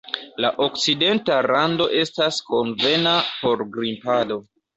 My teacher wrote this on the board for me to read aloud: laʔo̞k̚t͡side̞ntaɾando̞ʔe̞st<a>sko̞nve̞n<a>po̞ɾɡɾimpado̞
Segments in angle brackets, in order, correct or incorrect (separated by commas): correct, correct